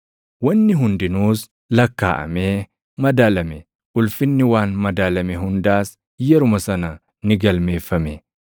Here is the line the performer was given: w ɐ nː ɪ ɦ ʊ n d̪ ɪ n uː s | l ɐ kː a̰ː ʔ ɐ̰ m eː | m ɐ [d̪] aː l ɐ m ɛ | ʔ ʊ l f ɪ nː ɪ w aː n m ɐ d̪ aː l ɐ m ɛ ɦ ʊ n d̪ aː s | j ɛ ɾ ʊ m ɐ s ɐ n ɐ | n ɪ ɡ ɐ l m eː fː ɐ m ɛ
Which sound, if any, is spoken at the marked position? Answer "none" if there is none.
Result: d̪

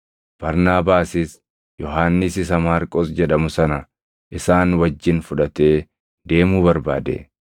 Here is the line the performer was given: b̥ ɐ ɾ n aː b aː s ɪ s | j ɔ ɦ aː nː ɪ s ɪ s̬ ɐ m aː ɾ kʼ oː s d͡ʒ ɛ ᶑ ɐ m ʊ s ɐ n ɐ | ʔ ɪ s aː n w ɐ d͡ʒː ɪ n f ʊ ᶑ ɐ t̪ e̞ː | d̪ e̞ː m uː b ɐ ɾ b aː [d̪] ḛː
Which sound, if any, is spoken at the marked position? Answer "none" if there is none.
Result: d̪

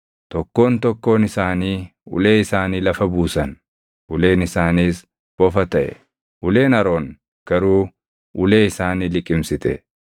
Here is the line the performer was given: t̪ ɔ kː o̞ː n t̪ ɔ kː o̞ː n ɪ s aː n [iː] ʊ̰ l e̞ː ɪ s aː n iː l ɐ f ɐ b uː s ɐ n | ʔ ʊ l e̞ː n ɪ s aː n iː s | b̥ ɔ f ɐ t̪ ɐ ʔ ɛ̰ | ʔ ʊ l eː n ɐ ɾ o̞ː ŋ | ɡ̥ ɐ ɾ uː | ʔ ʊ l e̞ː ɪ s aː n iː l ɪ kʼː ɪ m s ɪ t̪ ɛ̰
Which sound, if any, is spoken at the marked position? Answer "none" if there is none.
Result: iː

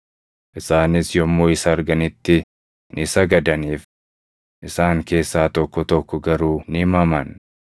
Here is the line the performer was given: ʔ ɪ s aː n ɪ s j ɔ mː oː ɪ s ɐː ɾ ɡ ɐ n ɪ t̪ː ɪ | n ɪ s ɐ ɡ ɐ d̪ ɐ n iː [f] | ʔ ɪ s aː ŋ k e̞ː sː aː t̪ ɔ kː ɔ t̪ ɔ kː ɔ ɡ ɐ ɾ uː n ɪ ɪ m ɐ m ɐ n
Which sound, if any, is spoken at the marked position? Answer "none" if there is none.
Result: f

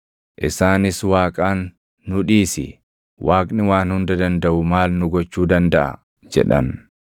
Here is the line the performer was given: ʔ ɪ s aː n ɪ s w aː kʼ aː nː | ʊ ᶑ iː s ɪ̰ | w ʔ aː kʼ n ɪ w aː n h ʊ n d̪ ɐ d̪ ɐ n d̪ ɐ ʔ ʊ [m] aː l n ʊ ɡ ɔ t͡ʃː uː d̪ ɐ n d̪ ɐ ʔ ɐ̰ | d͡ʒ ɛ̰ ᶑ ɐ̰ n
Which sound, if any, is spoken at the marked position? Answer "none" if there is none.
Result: m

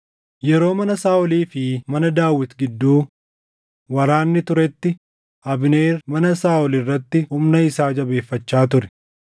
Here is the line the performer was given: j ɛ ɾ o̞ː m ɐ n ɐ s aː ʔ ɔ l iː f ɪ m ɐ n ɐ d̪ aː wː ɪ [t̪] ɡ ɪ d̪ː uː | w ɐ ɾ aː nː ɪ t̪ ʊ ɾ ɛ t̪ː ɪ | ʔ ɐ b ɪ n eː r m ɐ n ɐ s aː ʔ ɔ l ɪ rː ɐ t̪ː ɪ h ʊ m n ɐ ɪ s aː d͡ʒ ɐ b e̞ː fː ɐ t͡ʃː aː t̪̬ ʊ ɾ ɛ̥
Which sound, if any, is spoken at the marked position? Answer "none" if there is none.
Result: t̪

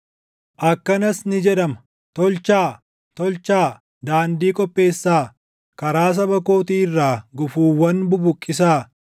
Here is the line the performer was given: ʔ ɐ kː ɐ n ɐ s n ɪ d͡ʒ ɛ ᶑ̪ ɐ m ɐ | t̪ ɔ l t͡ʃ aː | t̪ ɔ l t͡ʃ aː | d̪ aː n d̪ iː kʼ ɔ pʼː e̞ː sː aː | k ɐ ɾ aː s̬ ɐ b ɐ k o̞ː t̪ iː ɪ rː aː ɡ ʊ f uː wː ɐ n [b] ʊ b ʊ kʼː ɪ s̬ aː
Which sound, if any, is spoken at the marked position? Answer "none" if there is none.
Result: b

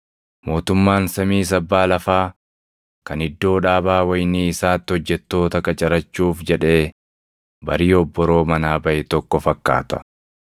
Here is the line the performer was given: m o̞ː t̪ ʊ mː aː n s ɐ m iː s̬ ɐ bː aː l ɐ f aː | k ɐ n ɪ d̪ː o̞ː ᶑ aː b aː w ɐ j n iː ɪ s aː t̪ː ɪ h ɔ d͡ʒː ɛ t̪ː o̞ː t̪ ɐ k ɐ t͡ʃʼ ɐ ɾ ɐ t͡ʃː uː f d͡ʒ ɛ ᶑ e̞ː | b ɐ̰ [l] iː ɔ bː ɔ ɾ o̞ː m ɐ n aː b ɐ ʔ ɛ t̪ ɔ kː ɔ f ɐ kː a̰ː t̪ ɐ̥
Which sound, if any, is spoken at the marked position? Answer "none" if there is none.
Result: ɾ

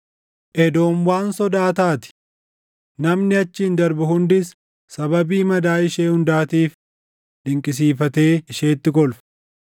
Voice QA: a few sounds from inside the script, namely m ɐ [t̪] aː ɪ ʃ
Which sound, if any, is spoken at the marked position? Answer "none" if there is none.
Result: d̪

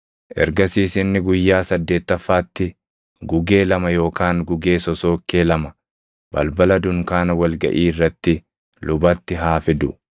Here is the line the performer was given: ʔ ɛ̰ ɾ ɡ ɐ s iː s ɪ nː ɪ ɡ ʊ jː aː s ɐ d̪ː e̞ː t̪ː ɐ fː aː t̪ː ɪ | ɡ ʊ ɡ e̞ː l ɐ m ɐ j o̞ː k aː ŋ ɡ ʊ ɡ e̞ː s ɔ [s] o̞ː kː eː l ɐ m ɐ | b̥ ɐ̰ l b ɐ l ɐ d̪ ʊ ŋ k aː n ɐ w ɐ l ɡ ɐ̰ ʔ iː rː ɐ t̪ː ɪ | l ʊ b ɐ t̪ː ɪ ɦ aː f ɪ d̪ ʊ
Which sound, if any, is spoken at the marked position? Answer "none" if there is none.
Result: s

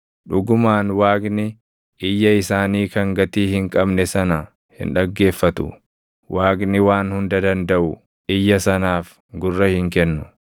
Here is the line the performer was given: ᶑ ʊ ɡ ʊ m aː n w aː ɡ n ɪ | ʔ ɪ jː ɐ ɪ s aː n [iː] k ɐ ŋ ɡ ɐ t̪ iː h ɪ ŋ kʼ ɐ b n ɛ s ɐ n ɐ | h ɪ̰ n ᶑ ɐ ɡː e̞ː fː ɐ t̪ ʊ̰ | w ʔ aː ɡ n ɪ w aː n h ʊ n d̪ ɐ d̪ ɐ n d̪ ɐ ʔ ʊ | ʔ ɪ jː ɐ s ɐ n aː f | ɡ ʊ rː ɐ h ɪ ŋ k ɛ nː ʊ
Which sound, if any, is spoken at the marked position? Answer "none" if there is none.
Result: iː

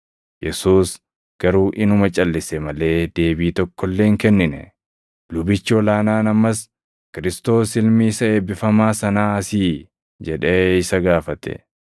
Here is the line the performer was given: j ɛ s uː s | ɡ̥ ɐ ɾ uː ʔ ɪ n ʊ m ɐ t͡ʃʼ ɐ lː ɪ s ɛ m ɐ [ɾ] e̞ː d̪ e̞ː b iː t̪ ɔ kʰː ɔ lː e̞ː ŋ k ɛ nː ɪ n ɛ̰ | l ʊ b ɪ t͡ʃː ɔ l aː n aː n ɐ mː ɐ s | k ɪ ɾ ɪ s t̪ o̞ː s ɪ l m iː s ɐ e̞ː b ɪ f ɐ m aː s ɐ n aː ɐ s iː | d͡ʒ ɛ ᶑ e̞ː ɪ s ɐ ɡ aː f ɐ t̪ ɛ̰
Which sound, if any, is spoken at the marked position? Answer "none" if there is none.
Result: l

